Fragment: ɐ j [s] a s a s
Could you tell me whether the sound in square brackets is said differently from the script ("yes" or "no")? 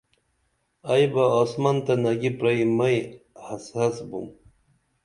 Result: yes